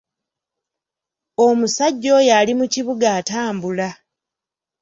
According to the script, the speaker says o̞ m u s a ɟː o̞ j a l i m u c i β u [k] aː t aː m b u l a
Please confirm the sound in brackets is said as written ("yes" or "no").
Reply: no